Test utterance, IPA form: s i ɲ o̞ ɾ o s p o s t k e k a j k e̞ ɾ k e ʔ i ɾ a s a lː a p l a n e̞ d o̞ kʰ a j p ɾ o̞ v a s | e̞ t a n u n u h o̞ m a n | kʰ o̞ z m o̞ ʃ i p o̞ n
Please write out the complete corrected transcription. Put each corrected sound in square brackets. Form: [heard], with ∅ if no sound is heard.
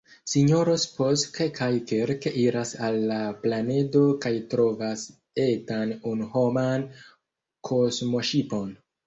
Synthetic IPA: s i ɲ o̞ ɾ o s p o s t k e k a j k e̞ ɾ k e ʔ i ɾ a s a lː a p l a n e̞ d o̞ [k] a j [t] ɾ o̞ v a s | e̞ t a n u n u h o̞ m a n | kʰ o̞ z m o̞ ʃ i p o̞ n